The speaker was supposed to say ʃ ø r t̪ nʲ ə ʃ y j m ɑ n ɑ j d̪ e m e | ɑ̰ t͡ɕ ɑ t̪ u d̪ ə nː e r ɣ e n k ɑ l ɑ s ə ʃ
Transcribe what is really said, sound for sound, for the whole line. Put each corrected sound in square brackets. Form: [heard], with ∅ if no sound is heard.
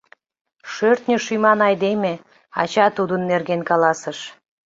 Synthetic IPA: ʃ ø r t̪ nʲ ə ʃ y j m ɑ n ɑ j d̪ e m e | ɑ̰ t͡ɕ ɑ t̪ u d̪ ə nː e r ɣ e n k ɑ l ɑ s ə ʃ